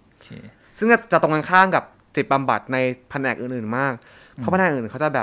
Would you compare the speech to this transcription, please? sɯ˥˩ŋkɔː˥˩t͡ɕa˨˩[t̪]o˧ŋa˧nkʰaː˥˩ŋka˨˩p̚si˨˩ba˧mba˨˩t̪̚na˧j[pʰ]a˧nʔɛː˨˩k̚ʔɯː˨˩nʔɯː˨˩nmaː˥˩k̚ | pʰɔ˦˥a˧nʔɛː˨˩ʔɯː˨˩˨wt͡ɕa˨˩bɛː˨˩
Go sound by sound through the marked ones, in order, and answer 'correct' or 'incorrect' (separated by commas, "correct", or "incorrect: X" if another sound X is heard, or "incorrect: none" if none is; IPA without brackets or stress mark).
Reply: correct, correct